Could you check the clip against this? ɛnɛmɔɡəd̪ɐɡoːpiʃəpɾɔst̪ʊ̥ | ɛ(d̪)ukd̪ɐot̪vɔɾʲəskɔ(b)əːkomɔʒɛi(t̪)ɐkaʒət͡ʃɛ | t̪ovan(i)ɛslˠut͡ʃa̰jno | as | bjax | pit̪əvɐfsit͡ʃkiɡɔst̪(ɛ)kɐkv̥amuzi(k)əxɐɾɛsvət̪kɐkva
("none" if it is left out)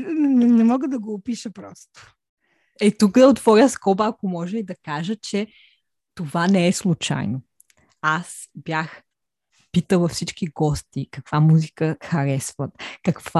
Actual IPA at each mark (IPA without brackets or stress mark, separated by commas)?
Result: t̪, b, d̪, ɛ, i, k